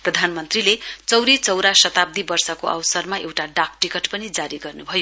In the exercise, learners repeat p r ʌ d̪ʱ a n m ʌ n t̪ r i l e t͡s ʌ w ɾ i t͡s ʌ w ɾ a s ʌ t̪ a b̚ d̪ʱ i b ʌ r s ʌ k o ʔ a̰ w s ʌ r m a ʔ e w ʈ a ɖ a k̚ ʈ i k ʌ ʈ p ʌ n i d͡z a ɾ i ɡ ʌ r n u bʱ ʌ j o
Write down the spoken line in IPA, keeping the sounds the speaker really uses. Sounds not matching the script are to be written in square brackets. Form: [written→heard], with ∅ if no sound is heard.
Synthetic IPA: p r ʌ d̪ʱ a n m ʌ n t̪ r i l e t͡s ʌ w ɾ i t͡s ʌ w ɾ a s ʌ t̪ a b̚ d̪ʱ i b ʌ r s ʌ k o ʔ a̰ w s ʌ r m a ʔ e w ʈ a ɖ a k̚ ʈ i k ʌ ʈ p ʌ n i d͡z a ɾ i ɡ ʌ r n u bʱ ʌ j o